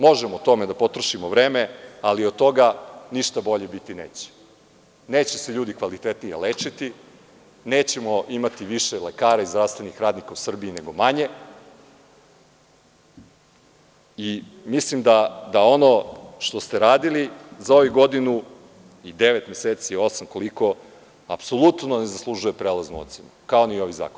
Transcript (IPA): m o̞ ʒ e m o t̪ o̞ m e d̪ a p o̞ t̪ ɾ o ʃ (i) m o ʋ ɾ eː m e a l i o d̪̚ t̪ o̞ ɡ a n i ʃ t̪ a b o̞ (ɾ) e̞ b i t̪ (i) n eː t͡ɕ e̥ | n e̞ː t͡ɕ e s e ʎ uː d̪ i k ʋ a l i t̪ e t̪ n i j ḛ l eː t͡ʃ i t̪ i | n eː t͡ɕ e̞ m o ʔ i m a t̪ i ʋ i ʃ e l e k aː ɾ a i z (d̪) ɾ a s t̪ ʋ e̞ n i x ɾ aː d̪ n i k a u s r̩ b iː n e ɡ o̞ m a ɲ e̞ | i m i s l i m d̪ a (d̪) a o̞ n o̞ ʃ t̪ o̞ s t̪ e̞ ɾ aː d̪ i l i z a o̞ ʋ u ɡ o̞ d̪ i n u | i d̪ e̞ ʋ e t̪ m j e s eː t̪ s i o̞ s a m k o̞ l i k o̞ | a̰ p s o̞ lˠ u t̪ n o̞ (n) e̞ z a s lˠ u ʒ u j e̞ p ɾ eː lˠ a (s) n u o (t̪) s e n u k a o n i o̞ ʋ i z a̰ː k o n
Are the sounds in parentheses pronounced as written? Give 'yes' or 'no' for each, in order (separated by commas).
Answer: yes, no, yes, yes, yes, yes, no, yes